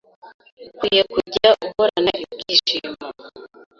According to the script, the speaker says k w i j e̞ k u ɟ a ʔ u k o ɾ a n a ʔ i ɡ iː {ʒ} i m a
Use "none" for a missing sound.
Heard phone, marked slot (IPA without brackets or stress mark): ʃ